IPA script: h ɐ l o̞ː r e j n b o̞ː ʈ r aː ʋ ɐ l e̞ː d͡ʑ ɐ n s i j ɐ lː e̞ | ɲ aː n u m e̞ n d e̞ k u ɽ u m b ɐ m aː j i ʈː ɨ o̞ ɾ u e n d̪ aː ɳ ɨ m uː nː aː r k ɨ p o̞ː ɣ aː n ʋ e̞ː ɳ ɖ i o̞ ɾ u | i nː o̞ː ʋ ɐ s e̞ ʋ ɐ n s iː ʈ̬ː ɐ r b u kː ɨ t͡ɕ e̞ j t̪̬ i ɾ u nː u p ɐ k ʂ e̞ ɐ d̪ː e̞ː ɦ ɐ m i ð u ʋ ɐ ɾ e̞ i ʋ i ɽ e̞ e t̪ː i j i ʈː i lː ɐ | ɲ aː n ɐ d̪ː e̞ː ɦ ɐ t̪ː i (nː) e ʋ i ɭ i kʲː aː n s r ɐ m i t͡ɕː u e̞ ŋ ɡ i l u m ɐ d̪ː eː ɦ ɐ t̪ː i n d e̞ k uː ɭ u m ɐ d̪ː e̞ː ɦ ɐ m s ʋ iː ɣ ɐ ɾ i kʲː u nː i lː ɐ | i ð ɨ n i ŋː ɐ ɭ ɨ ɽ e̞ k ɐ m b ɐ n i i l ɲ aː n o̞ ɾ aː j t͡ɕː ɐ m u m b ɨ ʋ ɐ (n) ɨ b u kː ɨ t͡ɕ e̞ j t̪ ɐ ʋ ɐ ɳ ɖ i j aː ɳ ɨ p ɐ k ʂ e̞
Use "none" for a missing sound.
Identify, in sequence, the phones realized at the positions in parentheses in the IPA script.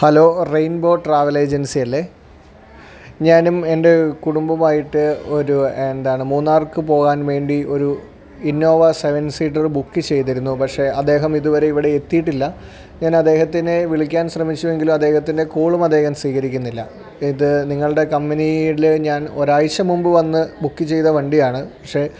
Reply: n, nː

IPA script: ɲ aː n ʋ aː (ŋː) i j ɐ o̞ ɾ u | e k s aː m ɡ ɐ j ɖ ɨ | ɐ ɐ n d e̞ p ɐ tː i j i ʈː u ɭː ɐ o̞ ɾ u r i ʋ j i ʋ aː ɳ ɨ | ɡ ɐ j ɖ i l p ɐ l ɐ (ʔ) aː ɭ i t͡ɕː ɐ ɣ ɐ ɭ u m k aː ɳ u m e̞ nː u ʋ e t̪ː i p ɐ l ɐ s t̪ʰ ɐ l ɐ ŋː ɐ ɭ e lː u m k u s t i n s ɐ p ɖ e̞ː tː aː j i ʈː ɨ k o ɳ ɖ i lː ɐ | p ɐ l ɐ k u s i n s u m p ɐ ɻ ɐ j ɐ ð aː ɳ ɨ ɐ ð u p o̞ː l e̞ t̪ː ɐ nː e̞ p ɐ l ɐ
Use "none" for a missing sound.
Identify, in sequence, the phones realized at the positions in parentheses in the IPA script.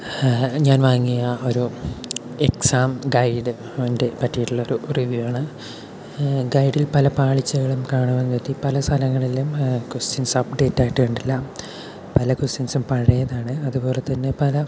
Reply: ŋː, p

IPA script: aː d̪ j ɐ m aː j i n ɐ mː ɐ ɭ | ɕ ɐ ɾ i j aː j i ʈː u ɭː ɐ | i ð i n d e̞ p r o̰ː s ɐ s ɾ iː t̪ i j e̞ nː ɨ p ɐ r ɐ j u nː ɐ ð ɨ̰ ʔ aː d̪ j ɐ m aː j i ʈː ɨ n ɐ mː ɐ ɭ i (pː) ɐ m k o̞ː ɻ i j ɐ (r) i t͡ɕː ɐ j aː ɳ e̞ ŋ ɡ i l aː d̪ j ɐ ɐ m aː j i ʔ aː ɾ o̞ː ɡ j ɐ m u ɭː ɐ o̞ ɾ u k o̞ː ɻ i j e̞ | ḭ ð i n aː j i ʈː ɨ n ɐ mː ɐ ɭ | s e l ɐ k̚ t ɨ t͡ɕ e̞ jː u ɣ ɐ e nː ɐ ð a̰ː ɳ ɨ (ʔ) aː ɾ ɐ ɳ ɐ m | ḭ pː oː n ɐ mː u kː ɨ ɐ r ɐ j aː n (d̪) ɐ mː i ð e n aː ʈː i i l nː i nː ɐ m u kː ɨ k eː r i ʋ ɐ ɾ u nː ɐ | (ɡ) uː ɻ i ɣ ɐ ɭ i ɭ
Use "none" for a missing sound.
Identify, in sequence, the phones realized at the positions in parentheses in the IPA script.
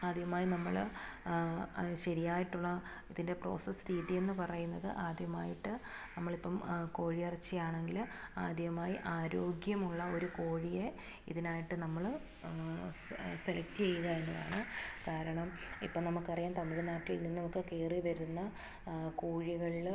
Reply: pː, r, k, t̪, k

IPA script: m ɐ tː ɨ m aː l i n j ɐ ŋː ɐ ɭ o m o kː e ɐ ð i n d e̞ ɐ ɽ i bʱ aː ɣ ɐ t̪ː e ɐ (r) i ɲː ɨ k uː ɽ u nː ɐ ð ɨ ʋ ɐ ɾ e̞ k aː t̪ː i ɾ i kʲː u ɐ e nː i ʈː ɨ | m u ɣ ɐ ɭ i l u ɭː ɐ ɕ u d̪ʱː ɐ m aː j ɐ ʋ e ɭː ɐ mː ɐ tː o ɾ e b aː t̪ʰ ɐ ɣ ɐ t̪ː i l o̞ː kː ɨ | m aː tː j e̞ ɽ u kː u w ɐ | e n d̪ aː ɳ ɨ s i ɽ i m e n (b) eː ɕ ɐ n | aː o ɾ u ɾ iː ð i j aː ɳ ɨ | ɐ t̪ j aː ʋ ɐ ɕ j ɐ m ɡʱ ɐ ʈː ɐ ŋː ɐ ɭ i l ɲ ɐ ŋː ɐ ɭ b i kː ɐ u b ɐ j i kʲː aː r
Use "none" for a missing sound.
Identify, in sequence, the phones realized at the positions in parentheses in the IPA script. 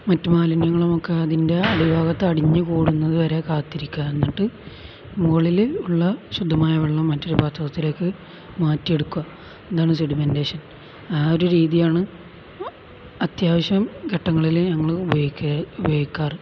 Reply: ɽ, d

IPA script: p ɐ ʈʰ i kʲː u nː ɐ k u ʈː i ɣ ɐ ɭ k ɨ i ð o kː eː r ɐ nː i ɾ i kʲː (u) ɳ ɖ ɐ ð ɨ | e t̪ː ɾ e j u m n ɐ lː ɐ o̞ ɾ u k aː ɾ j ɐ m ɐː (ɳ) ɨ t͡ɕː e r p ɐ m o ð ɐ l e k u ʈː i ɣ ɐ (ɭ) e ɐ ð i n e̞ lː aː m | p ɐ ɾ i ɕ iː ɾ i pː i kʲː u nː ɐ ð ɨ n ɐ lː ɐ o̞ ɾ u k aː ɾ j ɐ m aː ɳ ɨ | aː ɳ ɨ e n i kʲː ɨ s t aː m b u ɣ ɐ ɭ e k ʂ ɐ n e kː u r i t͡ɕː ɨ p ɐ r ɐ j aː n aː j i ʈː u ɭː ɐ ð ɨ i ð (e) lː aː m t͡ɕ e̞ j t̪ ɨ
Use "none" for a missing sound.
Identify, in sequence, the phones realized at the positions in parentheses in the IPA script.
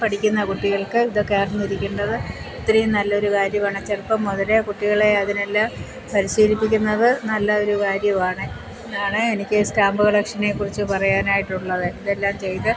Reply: u, ɳ, ɭ, e

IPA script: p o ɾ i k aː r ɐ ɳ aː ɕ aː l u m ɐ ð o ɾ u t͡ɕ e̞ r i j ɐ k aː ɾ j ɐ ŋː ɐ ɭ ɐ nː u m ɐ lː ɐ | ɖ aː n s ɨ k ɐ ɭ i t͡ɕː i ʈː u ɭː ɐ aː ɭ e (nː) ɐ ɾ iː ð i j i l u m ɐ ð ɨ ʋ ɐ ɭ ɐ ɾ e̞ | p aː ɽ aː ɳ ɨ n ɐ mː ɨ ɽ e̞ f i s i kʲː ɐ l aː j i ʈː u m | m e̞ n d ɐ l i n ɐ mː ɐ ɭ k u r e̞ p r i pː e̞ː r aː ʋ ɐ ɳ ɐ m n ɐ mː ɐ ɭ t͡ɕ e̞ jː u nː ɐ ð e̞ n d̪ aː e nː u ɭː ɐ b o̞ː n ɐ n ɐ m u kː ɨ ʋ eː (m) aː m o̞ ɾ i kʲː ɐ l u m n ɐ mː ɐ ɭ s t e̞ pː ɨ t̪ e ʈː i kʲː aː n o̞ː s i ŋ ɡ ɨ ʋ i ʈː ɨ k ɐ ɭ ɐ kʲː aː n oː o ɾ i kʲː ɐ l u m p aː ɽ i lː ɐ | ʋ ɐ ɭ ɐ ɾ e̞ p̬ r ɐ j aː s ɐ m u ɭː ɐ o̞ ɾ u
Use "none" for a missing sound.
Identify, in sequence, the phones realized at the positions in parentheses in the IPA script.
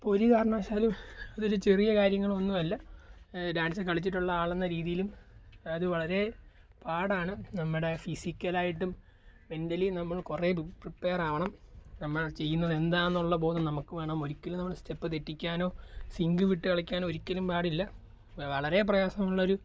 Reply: nː, ɳ

